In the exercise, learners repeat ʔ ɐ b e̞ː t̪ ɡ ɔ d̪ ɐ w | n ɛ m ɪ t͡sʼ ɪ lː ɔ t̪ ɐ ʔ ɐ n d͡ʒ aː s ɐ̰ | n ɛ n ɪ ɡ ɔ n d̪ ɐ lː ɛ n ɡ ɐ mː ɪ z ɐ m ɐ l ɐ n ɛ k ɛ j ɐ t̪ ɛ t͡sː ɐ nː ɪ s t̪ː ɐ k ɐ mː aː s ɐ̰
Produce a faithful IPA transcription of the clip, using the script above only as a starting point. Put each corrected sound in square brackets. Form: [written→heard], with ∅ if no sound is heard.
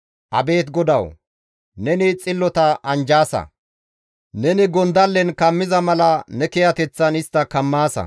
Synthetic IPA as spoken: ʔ ɐ b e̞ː t̪ ɡ ɔ d̪ ɐ w | n ɛ [m→n] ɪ t͡sʼ ɪ lː ɔ t̪ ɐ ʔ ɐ n d͡ʒ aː s ɐ̰ | n ɛ n ɪ ɡ ɔ n d̪ ɐ lː ɛ n [ɡ→k] ɐ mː ɪ z ɐ m ɐ l ɐ n ɛ k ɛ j ɐ t̪ ɛ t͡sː ɐ [nː→n] ɪ s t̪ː ɐ k ɐ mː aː s ɐ̰

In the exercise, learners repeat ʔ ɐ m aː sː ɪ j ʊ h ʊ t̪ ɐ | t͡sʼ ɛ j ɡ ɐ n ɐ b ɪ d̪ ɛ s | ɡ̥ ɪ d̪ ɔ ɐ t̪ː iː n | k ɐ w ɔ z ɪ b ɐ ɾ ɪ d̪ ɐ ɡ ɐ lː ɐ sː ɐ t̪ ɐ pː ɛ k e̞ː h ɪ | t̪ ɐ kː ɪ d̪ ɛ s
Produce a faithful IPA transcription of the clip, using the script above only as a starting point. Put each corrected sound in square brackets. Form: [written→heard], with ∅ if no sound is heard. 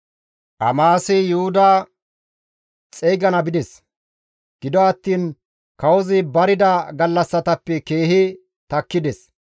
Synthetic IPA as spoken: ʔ ɐ m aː [sː→s] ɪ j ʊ h ʊ [t̪→d̪] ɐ | t͡sʼ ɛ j ɡ ɐ n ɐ b ɪ d̪ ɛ s | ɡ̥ ɪ d̪ ɔ ɐ t̪ː iː n | k ɐ w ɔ z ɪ b ɐ ɾ ɪ d̪ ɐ ɡ ɐ lː ɐ sː ɐ t̪ ɐ pː ɛ k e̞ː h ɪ | t̪ ɐ kː ɪ d̪ ɛ s

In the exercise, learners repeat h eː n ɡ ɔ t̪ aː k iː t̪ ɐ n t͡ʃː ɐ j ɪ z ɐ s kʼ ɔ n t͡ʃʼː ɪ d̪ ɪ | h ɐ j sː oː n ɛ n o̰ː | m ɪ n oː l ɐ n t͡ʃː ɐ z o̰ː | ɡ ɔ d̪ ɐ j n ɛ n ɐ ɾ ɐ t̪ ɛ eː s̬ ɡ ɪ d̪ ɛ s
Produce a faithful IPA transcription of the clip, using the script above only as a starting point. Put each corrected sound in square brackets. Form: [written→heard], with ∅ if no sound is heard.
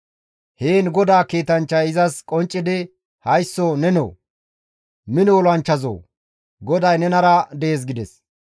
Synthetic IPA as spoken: h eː n ɡ ɔ [t̪→d̪] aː k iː t̪ ɐ n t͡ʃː ɐ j ɪ z ɐ s kʼ ɔ n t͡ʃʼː ɪ d̪ ɪ | h ɐ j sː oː n ɛ n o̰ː | m ɪ n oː l ɐ n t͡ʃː ɐ z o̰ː | ɡ ɔ d̪ ɐ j n ɛ n ɐ ɾ ɐ [t̪→d̪] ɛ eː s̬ ɡ ɪ d̪ ɛ s

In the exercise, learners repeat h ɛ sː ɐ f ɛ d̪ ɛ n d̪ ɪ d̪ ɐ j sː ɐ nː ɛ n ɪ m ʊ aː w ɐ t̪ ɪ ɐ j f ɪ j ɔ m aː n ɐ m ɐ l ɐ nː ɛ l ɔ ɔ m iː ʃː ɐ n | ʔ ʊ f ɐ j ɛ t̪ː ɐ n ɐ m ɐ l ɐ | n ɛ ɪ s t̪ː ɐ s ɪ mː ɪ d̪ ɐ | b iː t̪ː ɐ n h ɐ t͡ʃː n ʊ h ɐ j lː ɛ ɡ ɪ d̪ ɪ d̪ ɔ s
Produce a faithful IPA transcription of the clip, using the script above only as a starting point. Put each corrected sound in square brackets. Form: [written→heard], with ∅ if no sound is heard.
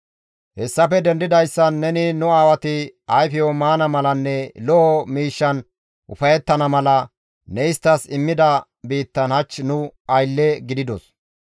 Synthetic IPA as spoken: h ɛ sː ɐ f ɛ d̪ ɛ n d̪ ɪ d̪ ɐ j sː ɐ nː ɛ n ɪ [m→n] ʊ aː w ɐ t̪ ɪ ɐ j f ɪ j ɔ m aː n ɐ m ɐ l ɐ nː ɛ l ɔ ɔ m iː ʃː ɐ n | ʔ ʊ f ɐ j ɛ t̪ː ɐ n ɐ m ɐ l ɐ | n ɛ ɪ s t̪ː ɐ s ɪ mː ɪ d̪ ɐ | b iː t̪ː ɐ n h ɐ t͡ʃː n ʊ [h→∅] ɐ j lː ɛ ɡ ɪ d̪ ɪ d̪ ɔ s

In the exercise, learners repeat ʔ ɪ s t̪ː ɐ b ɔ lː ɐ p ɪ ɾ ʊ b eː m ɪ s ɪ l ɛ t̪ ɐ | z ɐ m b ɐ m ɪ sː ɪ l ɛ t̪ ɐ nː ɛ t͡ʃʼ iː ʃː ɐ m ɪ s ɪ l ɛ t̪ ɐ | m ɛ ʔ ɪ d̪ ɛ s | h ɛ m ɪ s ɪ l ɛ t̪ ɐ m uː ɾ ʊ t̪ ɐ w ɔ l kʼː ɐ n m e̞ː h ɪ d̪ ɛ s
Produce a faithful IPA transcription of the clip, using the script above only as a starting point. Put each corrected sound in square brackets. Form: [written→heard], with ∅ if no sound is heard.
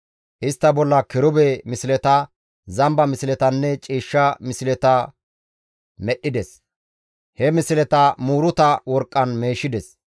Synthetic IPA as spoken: ʔ ɪ s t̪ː ɐ b ɔ lː ɐ [p→k] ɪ ɾ ʊ b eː m ɪ s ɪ l ɛ t̪ ɐ | z ɐ m b ɐ m ɪ [sː→s] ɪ l ɛ t̪ ɐ nː ɛ t͡ʃʼ iː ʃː ɐ m ɪ s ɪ l ɛ t̪ ɐ | m ɛ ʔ ɪ d̪ ɛ s | h ɛ m ɪ s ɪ l ɛ t̪ ɐ m uː ɾ ʊ t̪ ɐ w ɔ [l→ɾ] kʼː ɐ n m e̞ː [h→ʃ] ɪ d̪ ɛ s

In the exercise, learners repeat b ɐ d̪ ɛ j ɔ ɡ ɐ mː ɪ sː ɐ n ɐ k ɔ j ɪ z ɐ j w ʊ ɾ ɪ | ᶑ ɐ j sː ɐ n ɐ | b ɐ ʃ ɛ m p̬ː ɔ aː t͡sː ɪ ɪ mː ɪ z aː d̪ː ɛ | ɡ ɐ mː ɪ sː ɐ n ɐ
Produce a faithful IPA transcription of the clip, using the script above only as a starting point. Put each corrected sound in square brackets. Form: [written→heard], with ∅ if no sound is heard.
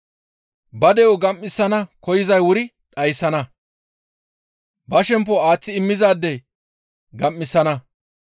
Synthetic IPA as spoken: b ɐ d̪ ɛ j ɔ ɡ ɐ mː ɪ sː ɐ n ɐ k ɔ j ɪ z ɐ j w ʊ ɾ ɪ | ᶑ ɐ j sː ɐ n ɐ | b ɐ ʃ ɛ m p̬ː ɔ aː t͡sː ɪ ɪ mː ɪ z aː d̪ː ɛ | ɡ ɐ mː ɪ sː ɐ n ɐ

